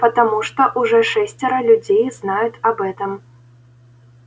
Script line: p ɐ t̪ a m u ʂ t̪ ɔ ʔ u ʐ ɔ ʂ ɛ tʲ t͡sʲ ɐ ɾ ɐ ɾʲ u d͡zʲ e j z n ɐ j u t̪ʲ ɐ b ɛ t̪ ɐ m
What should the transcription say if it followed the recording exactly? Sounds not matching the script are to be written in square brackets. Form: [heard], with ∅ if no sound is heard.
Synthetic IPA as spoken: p ɐ t̪ a m u ʂ t̪ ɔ ʔ u ʐ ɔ ʂ ɛ [sʲ] t͡sʲ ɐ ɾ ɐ [lʲ] u d͡zʲ e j z n [a] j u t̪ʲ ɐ b ɛ t̪ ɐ m

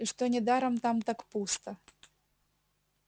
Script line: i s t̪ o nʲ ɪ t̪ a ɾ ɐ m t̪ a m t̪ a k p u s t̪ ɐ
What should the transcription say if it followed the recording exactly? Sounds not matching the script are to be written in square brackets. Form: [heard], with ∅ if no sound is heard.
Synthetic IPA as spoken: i [ʂ] t̪ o nʲ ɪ [d̪] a ɾ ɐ m t̪ a m t̪ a k p u s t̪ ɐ

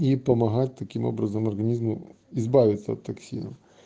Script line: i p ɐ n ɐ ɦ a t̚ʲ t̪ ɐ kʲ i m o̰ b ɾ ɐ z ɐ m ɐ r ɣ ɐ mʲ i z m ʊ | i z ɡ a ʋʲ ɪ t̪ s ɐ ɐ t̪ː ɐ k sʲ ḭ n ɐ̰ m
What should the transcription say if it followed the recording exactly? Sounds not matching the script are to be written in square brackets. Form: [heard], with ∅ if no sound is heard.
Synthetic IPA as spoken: i p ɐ [m] ɐ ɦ a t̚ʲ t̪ ɐ kʲ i m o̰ b ɾ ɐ z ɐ m ɐ r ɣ ɐ [nʲ] i z m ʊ | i z [b] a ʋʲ ɪ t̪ s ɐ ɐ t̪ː ɐ k sʲ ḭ n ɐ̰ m

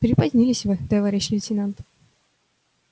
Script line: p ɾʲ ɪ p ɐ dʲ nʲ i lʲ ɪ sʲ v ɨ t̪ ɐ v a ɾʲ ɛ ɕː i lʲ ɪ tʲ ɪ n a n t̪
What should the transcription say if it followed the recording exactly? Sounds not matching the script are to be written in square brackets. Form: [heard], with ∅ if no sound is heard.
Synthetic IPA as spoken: p ɾʲ ɪ p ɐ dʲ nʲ i lʲ ɪ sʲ v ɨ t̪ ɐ v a ɾʲ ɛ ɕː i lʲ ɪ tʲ ɪ n a n t̪

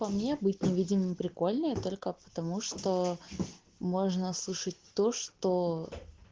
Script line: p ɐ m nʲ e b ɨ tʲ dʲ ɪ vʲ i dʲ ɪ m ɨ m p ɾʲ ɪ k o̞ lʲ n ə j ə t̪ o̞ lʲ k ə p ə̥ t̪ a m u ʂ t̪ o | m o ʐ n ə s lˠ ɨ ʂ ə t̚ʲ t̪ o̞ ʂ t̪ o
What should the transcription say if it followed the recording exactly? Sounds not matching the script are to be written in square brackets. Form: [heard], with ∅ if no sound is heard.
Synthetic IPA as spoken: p ɐ m nʲ e b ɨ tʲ [nʲ] ɪ vʲ i dʲ ɪ m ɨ m p ɾʲ ɪ k o̞ lʲ n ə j ə t̪ o̞ lʲ k ə p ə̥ t̪ [ɐ] m u ʂ t̪ o | m o ʐ n ə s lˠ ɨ ʂ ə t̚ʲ t̪ o̞ ʂ t̪ o

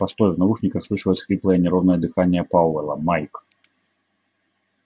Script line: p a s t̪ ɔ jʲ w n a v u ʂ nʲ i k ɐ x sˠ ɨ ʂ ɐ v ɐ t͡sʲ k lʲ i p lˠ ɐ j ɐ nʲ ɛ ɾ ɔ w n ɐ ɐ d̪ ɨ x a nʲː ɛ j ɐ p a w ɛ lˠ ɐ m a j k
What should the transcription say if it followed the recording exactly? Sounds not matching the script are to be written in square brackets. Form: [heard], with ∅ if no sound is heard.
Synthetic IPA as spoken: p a s t̪ ɔ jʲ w n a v u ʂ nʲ i k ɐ x sˠ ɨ ʂ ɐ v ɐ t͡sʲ [x] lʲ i p lˠ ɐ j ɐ nʲ ɛ ɾ ɔ w n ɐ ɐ d̪ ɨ x a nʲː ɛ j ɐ p a w ɛ lˠ ɐ m a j k

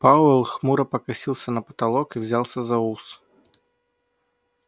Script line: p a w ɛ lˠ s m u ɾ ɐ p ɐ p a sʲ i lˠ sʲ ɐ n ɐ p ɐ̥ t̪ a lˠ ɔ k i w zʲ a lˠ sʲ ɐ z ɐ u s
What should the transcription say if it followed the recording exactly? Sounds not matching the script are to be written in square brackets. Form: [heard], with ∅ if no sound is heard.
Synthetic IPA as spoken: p a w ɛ lˠ [x] m u ɾ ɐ p ɐ [k] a sʲ i lˠ sʲ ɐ n ɐ p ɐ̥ t̪ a lˠ ɔ k i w zʲ a lˠ sʲ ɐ z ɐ u s

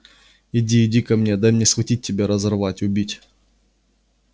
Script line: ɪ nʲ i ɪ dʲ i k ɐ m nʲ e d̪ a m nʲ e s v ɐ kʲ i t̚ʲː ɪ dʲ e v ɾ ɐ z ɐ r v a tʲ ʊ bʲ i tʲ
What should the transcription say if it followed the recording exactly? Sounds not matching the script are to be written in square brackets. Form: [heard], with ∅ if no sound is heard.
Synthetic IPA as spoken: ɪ [dʲ] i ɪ dʲ i k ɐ m nʲ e d̪ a m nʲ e s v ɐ [tʲ] i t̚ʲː ɪ [bʲ] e [∅] ɾ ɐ z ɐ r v a tʲ ʊ bʲ i tʲ

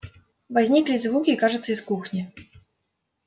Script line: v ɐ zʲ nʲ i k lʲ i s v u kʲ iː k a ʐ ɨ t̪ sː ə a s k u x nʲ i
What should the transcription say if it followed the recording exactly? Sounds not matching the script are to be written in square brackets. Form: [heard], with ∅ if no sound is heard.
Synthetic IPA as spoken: v [a] zʲ nʲ i k lʲ i [z] v u kʲ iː k a ʐ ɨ t̪ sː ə [i] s k u x nʲ i

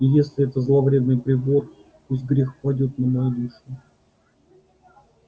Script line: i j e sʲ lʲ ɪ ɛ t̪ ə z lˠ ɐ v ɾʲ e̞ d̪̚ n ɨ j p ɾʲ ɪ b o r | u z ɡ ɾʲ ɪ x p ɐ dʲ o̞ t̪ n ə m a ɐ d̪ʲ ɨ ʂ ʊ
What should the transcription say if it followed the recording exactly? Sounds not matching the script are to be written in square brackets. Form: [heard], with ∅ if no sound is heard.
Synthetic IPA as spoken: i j e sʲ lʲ ɪ ɛ t̪ ə z lˠ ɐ v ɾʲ e̞ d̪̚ n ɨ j p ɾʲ ɪ b o r | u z ɡ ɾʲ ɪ x p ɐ dʲ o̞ t̪ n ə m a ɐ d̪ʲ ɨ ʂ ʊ

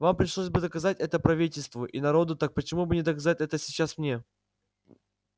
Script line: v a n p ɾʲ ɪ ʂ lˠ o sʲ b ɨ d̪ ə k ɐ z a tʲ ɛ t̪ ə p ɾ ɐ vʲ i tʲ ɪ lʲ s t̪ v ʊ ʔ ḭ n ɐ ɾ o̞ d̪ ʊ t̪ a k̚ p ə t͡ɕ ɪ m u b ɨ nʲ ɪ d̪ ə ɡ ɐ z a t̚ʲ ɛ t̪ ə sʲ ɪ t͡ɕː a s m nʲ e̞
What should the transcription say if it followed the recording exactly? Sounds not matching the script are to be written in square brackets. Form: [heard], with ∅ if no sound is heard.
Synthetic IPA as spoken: v a [m] p ɾʲ ɪ ʂ lˠ o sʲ b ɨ d̪ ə k ɐ z a tʲ ɛ t̪ ə p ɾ ɐ vʲ i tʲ ɪ lʲ s t̪ v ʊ ʔ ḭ n ɐ ɾ o̞ d̪ ʊ t̪ a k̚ p ə t͡ɕ ɪ m u b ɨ nʲ ɪ d̪ ə [k] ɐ z a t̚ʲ ɛ t̪ ə sʲ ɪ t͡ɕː a s m nʲ e̞

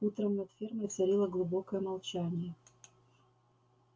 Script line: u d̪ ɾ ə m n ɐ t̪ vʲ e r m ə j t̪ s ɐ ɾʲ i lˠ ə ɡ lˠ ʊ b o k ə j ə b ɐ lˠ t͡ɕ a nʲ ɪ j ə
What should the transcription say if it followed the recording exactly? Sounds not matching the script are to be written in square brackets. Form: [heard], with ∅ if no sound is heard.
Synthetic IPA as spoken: u [t̪] ɾ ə m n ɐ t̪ [fʲ] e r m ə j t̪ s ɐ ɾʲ i lˠ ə ɡ lˠ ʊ b o k ə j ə [m] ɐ lˠ t͡ɕ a nʲ ɪ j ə

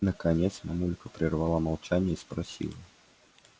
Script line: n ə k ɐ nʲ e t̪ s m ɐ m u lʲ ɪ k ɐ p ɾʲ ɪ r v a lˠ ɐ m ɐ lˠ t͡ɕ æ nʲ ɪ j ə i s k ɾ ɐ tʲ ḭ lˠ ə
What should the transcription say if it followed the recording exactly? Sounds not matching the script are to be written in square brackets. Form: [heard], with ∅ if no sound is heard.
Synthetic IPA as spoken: n ə k ɐ nʲ e t̪ s m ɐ m u lʲ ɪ k [ə] p ɾʲ ɪ r v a lˠ [a] m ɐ lˠ t͡ɕ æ nʲ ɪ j ə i s [p] ɾ ɐ [sʲ] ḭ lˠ ə

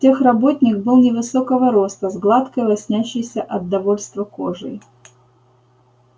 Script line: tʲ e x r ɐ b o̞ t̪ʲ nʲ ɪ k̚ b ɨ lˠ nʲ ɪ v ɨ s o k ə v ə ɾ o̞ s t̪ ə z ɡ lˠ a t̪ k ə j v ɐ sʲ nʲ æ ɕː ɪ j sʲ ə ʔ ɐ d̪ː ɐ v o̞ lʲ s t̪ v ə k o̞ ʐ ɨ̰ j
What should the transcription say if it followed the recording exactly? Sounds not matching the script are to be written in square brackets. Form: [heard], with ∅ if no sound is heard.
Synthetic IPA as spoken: tʲ e x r ɐ b o̞ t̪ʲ nʲ ɪ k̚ b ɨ lˠ nʲ ɪ v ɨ s o k ə v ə ɾ o̞ s t̪ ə z ɡ lˠ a t̪ k ə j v ɐ sʲ nʲ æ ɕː ɪ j sʲ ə ʔ ɐ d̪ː ɐ v o̞ lʲ s t̪ v ə k o̞ ʐ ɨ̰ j

